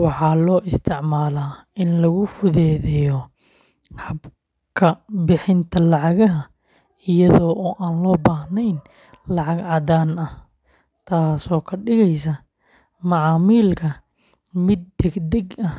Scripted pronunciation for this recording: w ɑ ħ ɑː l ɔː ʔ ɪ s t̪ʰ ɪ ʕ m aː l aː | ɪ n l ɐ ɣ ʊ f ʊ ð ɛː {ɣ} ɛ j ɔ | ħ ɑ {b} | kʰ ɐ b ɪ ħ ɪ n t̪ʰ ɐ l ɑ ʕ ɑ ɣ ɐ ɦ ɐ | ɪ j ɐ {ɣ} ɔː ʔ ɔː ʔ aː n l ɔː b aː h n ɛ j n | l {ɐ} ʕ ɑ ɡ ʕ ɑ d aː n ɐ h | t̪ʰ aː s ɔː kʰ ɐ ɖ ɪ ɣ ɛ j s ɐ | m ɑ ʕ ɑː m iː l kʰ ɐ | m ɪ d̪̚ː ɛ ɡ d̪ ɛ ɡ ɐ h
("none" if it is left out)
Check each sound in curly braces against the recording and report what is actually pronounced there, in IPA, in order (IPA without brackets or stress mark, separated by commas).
ð, b, ð, ɑ